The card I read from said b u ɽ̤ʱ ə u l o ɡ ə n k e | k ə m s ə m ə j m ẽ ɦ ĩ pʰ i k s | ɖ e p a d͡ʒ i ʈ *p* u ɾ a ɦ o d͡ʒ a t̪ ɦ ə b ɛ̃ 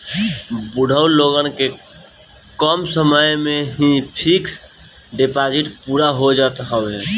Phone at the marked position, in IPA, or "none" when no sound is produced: p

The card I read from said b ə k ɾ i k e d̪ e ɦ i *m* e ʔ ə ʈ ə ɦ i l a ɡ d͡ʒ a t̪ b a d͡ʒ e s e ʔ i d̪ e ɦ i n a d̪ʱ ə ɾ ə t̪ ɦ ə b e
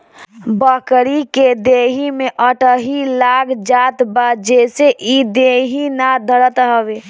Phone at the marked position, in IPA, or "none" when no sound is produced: m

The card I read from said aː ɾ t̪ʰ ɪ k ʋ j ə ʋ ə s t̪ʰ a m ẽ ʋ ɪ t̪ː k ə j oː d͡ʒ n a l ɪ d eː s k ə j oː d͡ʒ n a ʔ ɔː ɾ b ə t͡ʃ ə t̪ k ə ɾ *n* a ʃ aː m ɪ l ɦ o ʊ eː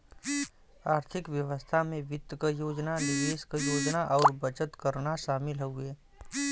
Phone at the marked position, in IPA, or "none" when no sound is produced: n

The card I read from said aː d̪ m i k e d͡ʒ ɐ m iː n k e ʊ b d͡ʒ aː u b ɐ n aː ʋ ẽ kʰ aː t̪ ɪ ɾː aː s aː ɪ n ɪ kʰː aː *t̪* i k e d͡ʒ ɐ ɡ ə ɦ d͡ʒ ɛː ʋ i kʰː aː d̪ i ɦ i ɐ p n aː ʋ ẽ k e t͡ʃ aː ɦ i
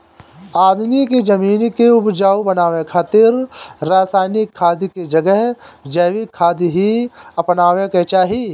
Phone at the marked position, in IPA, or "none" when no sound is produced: d̪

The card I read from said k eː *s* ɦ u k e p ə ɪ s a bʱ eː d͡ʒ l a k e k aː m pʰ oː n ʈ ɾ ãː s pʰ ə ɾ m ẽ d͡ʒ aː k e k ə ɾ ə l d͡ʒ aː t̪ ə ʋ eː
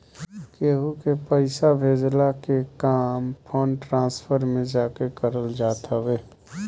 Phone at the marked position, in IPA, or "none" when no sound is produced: none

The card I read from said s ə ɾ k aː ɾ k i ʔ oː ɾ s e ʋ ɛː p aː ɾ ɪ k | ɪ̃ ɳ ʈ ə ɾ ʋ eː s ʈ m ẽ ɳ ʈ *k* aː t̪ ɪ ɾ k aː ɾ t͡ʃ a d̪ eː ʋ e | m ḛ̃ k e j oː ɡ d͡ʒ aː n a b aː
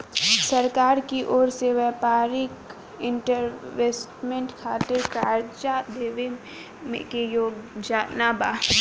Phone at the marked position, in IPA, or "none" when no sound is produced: kʰ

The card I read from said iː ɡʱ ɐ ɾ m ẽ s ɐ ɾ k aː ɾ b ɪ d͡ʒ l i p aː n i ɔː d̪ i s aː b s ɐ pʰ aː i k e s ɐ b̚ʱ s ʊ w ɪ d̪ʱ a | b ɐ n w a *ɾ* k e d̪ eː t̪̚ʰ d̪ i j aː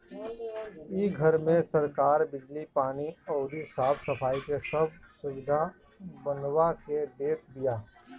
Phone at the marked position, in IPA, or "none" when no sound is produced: none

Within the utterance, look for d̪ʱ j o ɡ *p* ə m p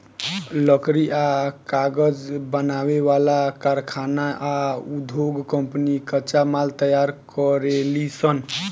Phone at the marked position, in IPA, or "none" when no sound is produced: k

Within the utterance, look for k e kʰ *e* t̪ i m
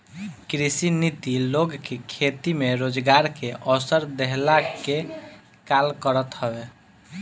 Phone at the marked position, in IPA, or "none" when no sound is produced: e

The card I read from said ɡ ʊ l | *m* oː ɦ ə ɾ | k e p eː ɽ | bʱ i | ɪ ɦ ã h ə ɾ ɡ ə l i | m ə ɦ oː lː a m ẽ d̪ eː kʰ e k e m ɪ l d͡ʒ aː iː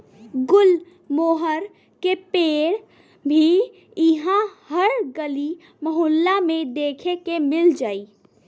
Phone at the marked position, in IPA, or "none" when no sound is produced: m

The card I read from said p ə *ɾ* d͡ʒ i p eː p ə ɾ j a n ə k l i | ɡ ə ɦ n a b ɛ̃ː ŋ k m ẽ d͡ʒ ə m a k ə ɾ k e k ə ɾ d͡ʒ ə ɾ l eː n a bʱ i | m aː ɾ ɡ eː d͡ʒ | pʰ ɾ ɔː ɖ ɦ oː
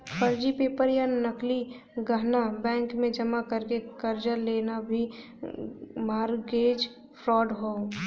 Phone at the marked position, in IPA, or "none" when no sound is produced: ɾ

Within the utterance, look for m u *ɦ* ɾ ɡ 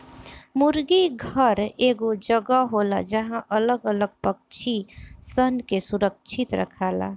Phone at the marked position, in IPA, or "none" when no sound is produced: none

